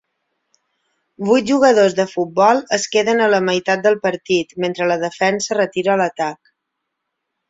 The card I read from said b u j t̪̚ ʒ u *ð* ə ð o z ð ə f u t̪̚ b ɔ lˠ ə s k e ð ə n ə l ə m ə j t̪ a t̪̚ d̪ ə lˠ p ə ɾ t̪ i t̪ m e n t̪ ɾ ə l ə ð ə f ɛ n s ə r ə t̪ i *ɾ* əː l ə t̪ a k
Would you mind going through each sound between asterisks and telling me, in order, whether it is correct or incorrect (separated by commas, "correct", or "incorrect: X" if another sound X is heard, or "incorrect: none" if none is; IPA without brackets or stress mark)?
incorrect: ɣ, correct